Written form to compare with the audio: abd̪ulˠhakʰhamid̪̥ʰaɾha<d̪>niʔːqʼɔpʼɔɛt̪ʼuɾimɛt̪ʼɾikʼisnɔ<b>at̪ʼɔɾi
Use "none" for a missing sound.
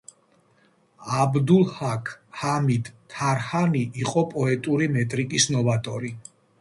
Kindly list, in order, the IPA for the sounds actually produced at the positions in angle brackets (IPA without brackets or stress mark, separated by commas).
none, v